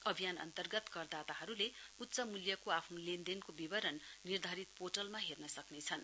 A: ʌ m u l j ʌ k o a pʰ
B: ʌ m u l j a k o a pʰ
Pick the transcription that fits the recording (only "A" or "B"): A